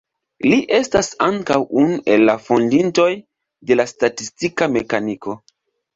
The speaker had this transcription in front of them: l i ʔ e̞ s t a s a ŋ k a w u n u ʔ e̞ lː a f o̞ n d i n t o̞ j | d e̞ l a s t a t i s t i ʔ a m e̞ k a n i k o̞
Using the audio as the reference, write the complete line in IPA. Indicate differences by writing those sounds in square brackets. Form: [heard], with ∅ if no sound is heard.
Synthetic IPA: l i ʔ e̞ s t a s a ŋ k a w u n u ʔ e̞ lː a f o̞ n d i n t o̞ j | d e̞ l a s t a t i s t i [k] a m e̞ k a n i k o̞